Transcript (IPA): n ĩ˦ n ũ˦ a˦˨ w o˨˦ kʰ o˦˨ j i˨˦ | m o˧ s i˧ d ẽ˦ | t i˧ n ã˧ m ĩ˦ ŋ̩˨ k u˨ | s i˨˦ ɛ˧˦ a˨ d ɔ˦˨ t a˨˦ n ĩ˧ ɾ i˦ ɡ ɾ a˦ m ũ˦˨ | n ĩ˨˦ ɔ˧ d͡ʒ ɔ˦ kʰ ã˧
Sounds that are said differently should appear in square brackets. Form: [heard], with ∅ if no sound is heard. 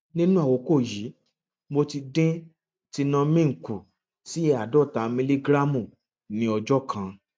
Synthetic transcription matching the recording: n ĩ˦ n ũ˦ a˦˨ w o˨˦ [k] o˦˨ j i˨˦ | m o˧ [t] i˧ d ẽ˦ | t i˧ n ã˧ m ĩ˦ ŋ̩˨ k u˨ | s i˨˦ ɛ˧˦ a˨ d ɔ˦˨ t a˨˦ [m] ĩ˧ [l] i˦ ɡ ɾ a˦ m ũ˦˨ | n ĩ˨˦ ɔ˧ d͡ʒ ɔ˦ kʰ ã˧